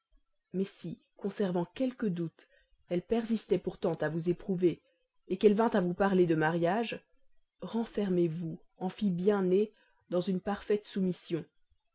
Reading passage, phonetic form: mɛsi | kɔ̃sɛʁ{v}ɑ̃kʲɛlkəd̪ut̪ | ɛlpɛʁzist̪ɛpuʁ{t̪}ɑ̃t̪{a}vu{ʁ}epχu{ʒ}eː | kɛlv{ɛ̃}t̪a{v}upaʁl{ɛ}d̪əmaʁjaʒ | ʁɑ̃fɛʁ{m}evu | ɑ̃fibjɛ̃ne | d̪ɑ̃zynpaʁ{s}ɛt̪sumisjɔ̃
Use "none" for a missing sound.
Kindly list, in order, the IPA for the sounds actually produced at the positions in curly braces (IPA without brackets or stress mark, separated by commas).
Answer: v, t̪, a, z, v, ɛ̃, v, e, m, f